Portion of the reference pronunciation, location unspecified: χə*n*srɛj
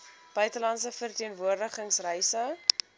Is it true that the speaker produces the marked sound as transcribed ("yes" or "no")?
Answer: no